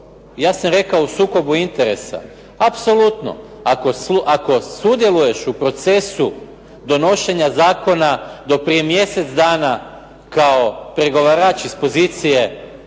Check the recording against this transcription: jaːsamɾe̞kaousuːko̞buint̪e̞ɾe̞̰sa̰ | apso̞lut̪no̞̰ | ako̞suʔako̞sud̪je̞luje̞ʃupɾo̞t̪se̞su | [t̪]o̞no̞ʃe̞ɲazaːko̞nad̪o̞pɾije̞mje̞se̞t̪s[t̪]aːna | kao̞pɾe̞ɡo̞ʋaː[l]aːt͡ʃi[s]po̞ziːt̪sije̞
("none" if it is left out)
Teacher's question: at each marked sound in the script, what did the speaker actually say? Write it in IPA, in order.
d̪, d̪, ɾ, s

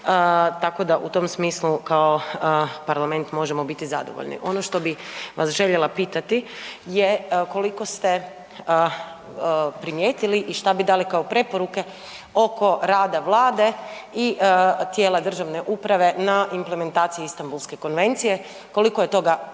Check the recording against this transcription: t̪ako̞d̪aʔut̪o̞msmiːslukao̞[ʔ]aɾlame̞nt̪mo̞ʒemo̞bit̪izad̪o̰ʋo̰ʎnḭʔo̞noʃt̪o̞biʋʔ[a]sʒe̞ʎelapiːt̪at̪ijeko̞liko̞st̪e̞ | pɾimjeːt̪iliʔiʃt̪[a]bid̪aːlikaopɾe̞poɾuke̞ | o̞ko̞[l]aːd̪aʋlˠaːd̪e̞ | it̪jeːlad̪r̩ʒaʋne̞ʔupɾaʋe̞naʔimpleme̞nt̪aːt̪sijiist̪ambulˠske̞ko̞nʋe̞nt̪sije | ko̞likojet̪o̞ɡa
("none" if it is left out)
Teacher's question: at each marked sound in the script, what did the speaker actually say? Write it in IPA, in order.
p, a, a, ɾ

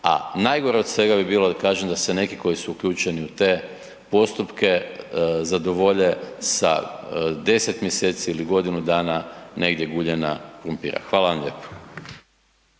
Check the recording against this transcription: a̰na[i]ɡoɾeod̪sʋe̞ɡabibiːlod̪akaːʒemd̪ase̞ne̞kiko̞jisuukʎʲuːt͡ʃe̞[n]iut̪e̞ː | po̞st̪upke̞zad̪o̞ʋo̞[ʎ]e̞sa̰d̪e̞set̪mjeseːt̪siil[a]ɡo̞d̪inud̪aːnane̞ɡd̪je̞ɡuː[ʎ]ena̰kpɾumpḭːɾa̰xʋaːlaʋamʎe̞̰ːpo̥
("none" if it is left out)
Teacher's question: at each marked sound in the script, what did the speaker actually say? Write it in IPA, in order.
j, n, ʎ, i, ʎ

